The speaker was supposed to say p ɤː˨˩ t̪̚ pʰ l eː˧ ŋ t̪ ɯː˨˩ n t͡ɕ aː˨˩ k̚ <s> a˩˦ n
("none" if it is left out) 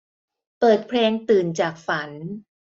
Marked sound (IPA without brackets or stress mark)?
f